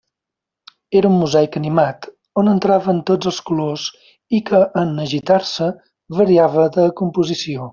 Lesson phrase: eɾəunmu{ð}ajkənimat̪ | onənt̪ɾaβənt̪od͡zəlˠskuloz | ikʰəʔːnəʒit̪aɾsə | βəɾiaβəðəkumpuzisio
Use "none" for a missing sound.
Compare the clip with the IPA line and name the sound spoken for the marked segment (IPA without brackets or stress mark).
z